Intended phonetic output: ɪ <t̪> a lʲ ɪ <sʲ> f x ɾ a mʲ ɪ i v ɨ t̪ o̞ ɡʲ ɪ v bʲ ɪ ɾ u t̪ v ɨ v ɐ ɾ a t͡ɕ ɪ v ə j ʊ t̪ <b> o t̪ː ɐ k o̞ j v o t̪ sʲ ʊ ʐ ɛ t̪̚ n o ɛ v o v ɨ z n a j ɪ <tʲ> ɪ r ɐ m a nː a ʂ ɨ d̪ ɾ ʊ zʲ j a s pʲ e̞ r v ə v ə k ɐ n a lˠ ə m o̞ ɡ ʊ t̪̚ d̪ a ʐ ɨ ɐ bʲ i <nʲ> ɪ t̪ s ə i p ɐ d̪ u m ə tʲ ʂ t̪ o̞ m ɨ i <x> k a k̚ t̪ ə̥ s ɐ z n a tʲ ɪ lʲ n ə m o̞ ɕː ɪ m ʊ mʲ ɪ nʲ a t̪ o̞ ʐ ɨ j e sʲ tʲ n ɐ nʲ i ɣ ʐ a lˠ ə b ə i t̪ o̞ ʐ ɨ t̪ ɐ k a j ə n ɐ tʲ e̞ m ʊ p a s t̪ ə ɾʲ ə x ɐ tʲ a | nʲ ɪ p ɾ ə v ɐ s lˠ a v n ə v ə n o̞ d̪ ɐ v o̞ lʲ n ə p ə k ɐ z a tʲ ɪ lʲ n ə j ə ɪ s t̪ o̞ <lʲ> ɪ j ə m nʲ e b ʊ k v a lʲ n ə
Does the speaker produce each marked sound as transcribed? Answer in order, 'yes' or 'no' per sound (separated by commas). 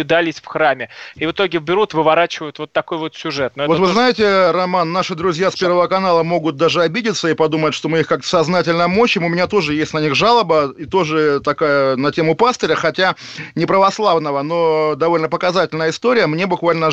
no, yes, no, yes, no, yes, no